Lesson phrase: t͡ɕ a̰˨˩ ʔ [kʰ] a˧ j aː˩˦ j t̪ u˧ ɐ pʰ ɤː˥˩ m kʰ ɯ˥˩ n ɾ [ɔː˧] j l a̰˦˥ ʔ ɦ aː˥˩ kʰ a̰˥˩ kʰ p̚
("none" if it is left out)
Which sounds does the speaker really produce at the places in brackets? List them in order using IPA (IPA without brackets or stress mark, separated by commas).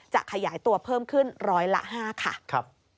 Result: kʰ, ɔː˦˥